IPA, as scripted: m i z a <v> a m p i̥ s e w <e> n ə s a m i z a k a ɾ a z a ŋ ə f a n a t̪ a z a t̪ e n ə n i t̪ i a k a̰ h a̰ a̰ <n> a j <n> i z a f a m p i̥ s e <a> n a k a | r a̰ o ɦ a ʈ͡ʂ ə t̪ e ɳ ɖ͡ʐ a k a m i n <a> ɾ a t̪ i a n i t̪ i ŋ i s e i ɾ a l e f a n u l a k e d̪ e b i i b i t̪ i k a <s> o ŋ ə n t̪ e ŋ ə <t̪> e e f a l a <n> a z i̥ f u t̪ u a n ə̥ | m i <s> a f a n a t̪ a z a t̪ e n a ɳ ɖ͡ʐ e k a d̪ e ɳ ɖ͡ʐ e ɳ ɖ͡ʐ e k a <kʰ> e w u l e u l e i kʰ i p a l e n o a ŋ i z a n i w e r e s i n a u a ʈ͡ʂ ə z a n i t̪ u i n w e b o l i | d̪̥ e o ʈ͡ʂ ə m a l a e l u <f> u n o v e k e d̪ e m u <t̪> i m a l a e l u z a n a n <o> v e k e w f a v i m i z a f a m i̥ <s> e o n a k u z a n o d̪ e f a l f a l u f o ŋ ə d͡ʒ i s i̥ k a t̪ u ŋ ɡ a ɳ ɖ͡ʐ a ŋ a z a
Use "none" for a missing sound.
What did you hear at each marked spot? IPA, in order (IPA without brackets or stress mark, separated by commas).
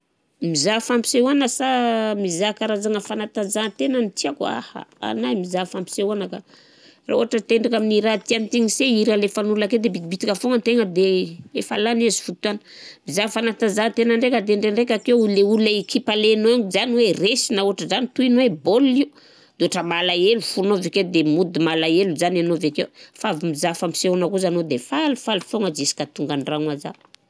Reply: f, a, n, m, a, i, f, d̪, n, z, k, f, d̪, o, s